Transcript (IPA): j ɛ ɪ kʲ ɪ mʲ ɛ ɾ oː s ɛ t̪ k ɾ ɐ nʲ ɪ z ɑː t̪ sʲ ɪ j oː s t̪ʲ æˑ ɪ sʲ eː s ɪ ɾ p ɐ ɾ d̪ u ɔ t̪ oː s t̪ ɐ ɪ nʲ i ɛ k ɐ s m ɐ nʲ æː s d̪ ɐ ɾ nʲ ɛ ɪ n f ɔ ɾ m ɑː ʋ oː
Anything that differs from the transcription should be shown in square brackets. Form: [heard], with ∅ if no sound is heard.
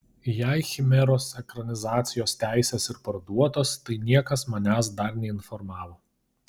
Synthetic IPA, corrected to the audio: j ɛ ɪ [xʲ] ɪ mʲ ɛ ɾ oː s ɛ [∅] k ɾ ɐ nʲ ɪ z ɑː t̪ sʲ ɪ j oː s t̪ʲ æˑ ɪ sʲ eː s ɪ ɾ p ɐ ɾ d̪ u ɔ t̪ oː s t̪ ɐ ɪ nʲ i ɛ k ɐ s m ɐ nʲ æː s d̪ ɐ ɾ nʲ ɛ ɪ n f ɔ ɾ m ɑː ʋ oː